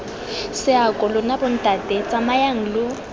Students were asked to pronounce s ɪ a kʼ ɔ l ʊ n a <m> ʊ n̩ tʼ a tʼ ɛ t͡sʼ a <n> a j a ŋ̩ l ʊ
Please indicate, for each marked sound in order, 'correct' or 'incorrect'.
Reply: incorrect, incorrect

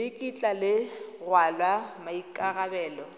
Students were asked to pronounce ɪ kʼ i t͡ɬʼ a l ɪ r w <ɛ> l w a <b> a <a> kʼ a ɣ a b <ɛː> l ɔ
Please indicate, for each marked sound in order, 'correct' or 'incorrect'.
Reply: incorrect, incorrect, incorrect, correct

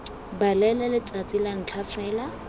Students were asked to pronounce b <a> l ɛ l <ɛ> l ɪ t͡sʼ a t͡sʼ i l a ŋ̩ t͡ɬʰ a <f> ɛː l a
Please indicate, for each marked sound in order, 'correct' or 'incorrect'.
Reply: correct, correct, correct

